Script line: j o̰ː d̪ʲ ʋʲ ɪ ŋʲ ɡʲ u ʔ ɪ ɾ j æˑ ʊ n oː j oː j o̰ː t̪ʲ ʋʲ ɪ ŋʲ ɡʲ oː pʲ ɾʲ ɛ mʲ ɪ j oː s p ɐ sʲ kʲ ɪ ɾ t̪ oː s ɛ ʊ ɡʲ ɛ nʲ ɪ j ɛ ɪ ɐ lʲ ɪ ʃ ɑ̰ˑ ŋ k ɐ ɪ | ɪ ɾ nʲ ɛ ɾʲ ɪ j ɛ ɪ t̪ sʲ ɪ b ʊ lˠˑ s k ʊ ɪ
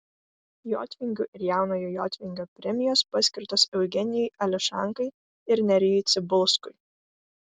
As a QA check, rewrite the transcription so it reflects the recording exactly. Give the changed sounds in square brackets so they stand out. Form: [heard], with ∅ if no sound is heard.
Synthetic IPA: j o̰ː [t̪ʲ] ʋʲ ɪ ŋʲ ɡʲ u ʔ ɪ ɾ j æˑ ʊ n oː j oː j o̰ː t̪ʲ ʋʲ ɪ ŋʲ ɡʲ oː pʲ ɾʲ ɛ mʲ ɪ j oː s p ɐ sʲ kʲ ɪ ɾ t̪ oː s ɛ ʊ ɡʲ ɛ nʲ ɪ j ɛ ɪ ɐ lʲ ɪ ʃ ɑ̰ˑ ŋ k ɐ ɪ | ɪ ɾ nʲ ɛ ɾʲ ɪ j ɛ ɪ t̪ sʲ ɪ b ʊ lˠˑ s k ʊ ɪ

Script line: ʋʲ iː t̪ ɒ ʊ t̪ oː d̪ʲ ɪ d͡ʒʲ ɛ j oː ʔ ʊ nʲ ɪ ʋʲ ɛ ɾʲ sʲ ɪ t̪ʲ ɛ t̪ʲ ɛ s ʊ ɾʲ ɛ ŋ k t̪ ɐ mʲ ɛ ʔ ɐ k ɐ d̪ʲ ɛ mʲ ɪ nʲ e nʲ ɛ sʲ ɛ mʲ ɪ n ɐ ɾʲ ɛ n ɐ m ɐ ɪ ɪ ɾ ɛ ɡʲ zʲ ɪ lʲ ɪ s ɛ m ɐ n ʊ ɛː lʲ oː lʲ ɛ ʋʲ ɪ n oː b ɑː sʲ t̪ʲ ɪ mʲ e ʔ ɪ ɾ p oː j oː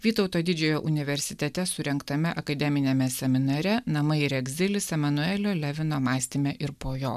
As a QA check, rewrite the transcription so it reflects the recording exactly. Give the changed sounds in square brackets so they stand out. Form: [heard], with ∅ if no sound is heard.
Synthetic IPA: ʋʲ iː t̪ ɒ ʊ t̪ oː d̪ʲ ɪ d͡ʒʲ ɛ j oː ʔ ʊ nʲ ɪ ʋʲ ɛ ɾʲ sʲ ɪ t̪ʲ ɛ t̪ʲ ɛ s ʊ ɾʲ ɛ ŋ k t̪ ɐ mʲ ɛ ʔ ɐ k ɐ d̪ʲ ɛ mʲ ɪ nʲ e [mʲ] ɛ sʲ ɛ mʲ ɪ n ɐ ɾʲ ɛ n ɐ m ɐ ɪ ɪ ɾ ɛ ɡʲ zʲ ɪ lʲ ɪ s ɛ m ɐ n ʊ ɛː lʲ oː lʲ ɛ ʋʲ ɪ n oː [m] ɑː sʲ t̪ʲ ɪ mʲ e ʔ ɪ ɾ p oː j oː

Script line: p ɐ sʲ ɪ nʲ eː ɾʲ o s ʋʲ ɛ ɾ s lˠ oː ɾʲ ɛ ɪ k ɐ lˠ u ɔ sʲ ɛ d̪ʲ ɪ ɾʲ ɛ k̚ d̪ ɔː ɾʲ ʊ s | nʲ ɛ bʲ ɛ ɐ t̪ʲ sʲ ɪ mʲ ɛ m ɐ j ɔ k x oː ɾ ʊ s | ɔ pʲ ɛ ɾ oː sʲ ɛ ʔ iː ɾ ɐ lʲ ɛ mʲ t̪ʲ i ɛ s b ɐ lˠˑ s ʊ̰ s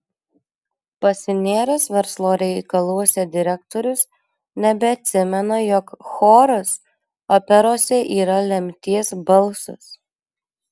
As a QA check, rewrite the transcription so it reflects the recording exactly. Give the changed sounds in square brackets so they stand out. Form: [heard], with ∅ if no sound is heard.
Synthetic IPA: p ɐ sʲ ɪ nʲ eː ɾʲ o s ʋʲ ɛ ɾ s lˠ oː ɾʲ ɛ ɪ k ɐ lˠ u ɔ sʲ ɛ d̪ʲ ɪ ɾʲ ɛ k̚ [t̪] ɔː ɾʲ ʊ s | nʲ ɛ bʲ ɛ ɐ t̪ʲ sʲ ɪ mʲ ɛ [n] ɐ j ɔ k x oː ɾ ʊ s | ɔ pʲ ɛ ɾ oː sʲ ɛ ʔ iː ɾ ɐ lʲ ɛ mʲ t̪ʲ i ɛ s b ɐ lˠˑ s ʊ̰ s

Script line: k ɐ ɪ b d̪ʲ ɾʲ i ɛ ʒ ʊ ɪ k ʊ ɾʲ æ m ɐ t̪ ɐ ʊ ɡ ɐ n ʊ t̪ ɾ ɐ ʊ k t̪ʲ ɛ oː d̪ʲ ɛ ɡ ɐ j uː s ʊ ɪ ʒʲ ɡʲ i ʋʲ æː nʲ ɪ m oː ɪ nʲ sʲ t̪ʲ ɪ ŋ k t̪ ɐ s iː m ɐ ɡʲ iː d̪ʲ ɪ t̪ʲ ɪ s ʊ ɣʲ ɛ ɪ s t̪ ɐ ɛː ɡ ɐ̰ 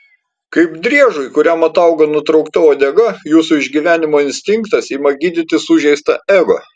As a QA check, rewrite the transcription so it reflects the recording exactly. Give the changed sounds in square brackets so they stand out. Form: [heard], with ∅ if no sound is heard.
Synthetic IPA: k ɐ ɪ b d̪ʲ ɾʲ i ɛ ʒ ʊ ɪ k ʊ ɾʲ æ m ɐ t̪ ɐ ʊ ɡ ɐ n ʊ t̪ ɾ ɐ ʊ k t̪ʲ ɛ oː d̪ʲ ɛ ɡ ɐ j uː s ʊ ɪ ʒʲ ɡʲ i ʋʲ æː nʲ ɪ m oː ɪ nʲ sʲ t̪ʲ ɪ ŋ k t̪ ɐ s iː m ɐ ɡʲ iː d̪ʲ ɪ t̪ʲ ɪ s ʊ [ʒʲ] ɛ ɪ s t̪ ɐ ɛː ɡ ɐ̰

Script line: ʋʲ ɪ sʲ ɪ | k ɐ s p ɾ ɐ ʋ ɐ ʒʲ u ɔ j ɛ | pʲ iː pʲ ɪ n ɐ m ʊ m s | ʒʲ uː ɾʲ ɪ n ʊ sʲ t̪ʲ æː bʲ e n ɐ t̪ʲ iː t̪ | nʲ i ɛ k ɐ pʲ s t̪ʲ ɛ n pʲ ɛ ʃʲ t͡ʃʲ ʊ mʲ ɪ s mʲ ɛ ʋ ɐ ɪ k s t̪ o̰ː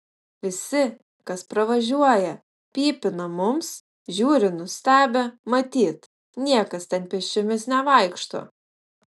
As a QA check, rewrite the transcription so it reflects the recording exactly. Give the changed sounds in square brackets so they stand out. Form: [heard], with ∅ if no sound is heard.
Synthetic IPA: ʋʲ ɪ sʲ ɪ | k ɐ s p ɾ ɐ ʋ ɐ ʒʲ u ɔ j ɛ | pʲ iː pʲ ɪ n ɐ m ʊ m s | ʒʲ uː ɾʲ ɪ n ʊ sʲ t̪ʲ æː bʲ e [m] ɐ t̪ʲ iː t̪ | nʲ i ɛ k ɐ [∅] s t̪ʲ ɛ n pʲ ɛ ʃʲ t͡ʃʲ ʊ mʲ ɪ s [nʲ] ɛ ʋ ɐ ɪ k [ʃ] t̪ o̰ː

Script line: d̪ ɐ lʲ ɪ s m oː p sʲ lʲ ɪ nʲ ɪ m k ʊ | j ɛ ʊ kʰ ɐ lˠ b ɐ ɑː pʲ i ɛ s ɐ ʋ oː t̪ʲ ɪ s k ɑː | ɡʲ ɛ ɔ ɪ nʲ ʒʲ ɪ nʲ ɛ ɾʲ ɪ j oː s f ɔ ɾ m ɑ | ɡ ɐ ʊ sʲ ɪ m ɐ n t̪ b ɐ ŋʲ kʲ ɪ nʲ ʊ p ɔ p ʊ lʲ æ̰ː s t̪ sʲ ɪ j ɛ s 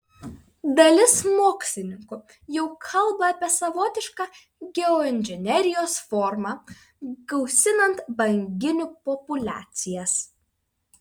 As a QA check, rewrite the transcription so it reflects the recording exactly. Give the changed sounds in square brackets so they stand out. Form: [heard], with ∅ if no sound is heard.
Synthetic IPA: d̪ ɐ lʲ ɪ s m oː [k] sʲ lʲ ɪ nʲ ɪ [ŋ] k ʊ | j ɛ ʊ kʰ ɐ lˠ b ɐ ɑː pʲ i ɛ s ɐ ʋ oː t̪ʲ ɪ [ʃ] k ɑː | ɡʲ ɛ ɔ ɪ nʲ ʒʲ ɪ nʲ ɛ ɾʲ ɪ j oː s f ɔ ɾ m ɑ | ɡ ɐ ʊ sʲ ɪ [n] ɐ n t̪ b ɐ ŋʲ [ɡʲ] ɪ nʲ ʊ p ɔ p ʊ lʲ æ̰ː [∅] t̪ sʲ ɪ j ɛ s

